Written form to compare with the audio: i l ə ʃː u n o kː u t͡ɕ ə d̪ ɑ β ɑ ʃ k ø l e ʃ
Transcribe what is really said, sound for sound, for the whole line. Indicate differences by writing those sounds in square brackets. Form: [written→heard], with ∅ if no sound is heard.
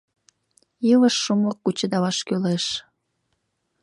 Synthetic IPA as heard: i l ə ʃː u [n→m] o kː u t͡ɕ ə d̪ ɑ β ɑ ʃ k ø l e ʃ